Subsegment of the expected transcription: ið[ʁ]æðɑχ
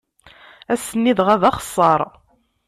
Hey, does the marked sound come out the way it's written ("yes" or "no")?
yes